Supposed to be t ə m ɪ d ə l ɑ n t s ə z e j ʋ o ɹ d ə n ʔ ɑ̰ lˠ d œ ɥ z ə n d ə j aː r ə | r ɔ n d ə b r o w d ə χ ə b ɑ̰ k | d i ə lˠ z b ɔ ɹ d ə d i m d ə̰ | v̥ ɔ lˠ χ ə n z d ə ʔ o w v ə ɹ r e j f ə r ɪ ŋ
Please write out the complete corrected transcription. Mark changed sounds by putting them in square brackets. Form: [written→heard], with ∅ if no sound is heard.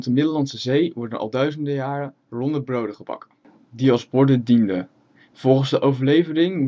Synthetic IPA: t ə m ɪ d ə l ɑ n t s ə z e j ʋ [o→ɔ] ɹ d ə n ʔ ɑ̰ lˠ d œ ɥ z ə n d ə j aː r ə | r ɔ n d ə b r o w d ə χ ə b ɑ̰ k | d i [ə→ɑ] lˠ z b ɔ ɹ d ə d i [m→n] d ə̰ | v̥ ɔ lˠ χ ə n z d ə ʔ o w v ə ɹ [r→l] e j [f→v] ə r ɪ ŋ